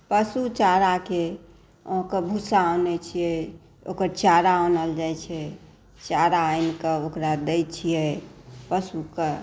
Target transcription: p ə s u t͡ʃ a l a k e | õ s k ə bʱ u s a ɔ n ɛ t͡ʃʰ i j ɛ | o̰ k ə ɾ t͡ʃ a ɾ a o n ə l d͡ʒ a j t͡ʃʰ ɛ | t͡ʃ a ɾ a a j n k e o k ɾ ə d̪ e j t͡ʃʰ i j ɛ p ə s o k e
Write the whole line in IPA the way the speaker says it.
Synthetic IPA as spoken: p ə s u t͡ʃ a ɾ a k e | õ k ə bʱ u s a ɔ n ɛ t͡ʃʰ i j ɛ | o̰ k ə ɾ t͡ʃ a ɾ a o n ə l d͡ʒ a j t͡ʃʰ ɛ | t͡ʃ a ɾ a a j n k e o k ɾ a d̪ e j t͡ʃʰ i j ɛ p ə s u k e